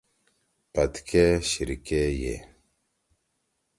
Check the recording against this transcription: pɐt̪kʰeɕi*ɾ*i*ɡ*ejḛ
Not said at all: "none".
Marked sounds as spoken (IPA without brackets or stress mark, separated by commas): ɾ, k